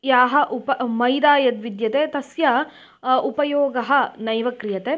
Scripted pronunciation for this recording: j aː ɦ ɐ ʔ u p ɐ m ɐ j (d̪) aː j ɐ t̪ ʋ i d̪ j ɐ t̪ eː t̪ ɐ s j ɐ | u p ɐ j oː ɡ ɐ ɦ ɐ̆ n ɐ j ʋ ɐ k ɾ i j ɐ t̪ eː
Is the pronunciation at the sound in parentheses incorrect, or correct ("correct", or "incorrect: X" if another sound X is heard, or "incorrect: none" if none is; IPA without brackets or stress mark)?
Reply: correct